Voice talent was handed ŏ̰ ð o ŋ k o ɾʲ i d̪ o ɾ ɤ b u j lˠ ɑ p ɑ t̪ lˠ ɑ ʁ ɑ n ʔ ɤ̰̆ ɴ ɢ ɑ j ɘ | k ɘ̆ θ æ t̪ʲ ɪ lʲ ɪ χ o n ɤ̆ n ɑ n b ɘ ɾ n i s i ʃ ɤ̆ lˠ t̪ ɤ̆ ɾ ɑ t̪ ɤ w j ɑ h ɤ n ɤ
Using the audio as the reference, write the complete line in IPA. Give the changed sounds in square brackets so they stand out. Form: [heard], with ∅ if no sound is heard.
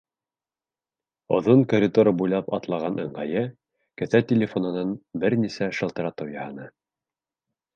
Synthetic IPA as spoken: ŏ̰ ð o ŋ k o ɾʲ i d̪ o ɾ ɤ b u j lˠ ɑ p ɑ t̪ lˠ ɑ ʁ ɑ n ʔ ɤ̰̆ ɴ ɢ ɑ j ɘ | k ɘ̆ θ æ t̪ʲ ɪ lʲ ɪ [f] o n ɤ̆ n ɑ n b ɘ ɾ n i s [æ] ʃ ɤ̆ lˠ t̪ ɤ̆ ɾ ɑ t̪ ɤ w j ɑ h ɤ n ɤ